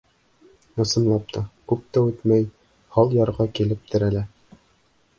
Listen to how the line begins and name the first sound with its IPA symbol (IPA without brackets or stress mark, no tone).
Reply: ɤ̆